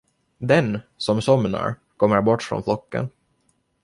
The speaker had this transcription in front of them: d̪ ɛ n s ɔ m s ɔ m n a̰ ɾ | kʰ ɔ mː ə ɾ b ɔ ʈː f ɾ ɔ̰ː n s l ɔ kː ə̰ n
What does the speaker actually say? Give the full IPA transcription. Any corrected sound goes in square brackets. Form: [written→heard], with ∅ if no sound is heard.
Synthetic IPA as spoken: d̪ ɛ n s ɔ m s ɔ m n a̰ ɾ | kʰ ɔ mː ə ɾ b ɔ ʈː f ɾ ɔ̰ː n [s→f] l ɔ kː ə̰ n